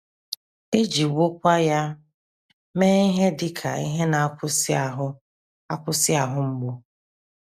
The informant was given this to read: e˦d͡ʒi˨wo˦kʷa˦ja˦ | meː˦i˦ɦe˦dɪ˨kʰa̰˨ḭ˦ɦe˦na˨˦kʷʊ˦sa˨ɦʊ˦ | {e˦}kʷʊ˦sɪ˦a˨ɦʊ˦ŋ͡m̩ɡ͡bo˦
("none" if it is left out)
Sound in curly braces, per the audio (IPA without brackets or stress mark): a˦